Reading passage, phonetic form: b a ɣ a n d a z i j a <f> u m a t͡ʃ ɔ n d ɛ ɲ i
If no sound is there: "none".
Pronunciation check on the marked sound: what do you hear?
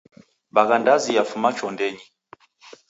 f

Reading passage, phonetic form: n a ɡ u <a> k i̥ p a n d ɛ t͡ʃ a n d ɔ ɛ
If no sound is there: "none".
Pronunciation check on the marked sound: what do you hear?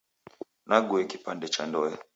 ɛ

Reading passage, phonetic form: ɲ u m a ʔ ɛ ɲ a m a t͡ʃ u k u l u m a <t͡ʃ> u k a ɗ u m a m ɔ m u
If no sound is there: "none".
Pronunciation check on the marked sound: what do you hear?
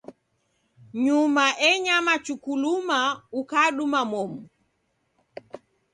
none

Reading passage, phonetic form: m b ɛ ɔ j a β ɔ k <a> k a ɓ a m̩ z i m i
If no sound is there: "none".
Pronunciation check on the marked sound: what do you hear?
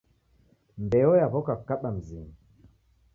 a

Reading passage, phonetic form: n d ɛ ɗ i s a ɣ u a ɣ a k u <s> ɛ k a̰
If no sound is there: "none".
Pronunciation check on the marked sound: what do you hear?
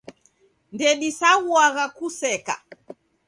s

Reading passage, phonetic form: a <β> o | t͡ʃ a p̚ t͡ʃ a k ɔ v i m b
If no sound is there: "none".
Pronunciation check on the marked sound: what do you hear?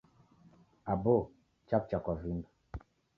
b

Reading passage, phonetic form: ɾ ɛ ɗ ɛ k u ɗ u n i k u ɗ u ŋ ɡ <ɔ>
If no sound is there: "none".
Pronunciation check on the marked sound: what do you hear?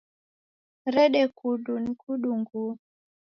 u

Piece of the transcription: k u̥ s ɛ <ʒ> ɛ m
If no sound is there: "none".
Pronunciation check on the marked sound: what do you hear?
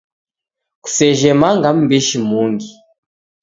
ʒ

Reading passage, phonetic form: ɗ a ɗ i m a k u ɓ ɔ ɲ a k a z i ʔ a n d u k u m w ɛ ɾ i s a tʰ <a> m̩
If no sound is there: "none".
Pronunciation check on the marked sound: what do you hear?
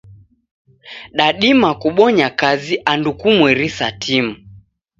i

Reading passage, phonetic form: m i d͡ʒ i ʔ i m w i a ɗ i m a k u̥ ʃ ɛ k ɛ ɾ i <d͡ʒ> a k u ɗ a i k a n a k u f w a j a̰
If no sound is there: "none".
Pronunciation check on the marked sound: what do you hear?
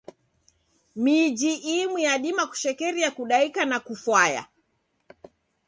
none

